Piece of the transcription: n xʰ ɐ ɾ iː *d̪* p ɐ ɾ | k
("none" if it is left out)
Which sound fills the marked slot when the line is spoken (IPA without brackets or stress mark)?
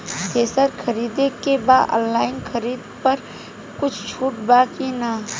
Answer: d̪